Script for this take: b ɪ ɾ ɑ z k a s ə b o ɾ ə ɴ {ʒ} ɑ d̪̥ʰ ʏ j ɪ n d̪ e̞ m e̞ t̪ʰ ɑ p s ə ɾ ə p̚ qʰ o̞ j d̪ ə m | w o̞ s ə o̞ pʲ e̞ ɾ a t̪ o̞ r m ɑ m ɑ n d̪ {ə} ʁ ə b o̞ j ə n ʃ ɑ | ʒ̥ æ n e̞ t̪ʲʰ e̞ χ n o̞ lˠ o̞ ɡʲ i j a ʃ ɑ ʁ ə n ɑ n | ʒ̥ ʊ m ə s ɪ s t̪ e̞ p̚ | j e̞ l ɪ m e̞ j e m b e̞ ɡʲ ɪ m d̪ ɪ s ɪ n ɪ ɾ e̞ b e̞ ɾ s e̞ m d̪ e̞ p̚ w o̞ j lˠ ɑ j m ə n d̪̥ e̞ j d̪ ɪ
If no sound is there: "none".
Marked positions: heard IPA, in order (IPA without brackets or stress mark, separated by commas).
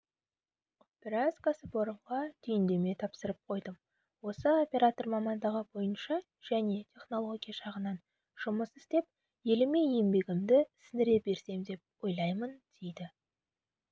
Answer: ʁ, ɑ